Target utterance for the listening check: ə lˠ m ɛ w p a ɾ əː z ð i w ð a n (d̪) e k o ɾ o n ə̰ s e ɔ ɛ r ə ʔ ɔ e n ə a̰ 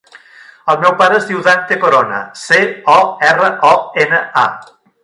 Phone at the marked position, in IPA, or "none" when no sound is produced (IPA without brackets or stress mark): t̪